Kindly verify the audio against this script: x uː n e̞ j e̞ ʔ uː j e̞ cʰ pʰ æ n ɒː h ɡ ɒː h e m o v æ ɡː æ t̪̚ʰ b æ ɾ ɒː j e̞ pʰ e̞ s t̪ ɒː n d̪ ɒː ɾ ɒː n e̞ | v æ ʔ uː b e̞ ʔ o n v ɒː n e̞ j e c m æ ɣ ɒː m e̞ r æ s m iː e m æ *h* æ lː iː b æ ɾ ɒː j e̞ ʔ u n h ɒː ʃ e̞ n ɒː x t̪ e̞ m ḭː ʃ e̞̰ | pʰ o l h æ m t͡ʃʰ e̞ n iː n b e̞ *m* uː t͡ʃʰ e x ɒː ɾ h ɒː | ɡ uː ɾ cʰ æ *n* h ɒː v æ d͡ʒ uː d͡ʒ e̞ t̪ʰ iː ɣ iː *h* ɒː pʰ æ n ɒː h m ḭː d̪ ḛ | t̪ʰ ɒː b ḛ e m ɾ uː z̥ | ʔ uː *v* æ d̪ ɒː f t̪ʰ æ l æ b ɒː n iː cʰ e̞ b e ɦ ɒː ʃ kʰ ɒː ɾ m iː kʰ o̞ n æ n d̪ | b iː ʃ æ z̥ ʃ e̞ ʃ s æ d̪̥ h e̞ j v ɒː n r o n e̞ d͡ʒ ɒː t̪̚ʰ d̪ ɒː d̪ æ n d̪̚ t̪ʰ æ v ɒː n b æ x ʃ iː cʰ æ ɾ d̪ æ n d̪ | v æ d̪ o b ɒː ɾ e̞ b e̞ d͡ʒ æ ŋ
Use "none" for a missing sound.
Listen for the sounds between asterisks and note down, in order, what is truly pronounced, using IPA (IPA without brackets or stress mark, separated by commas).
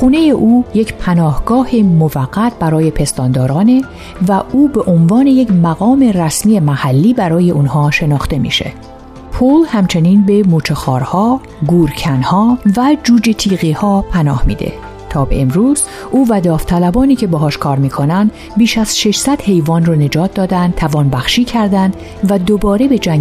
h, m, n, h, v